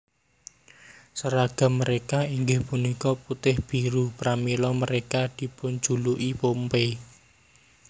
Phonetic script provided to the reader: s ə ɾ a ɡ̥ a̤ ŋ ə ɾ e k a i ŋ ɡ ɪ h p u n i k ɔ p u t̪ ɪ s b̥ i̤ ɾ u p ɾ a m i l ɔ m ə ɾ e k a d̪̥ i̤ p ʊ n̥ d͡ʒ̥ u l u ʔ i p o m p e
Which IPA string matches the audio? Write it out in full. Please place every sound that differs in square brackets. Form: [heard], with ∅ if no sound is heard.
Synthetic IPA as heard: s ə ɾ a ɡ̥ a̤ [m] ə ɾ e k a i ŋ ɡ ɪ h p u n i k ɔ p u t̪ ɪ [h] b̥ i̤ ɾ u p ɾ a m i l ɔ m ə ɾ e k a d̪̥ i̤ p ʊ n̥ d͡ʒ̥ u l u ʔ i p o m p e